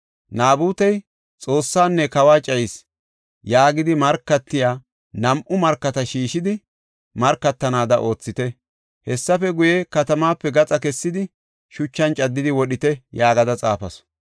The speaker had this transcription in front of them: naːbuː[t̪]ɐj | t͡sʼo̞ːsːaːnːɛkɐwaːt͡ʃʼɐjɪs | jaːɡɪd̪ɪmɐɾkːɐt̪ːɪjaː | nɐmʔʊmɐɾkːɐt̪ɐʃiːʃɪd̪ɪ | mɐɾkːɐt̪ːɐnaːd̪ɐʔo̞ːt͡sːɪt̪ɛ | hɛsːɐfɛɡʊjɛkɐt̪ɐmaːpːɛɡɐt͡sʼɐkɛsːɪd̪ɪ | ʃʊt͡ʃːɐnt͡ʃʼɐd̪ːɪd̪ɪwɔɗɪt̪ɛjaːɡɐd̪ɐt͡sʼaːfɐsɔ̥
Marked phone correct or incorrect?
correct